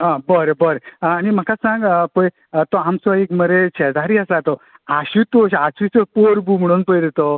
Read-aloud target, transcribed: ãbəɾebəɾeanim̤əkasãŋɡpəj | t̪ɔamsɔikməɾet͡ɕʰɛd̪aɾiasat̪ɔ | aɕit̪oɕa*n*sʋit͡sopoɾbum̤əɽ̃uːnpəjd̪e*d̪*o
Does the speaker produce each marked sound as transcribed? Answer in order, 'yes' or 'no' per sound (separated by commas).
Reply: no, no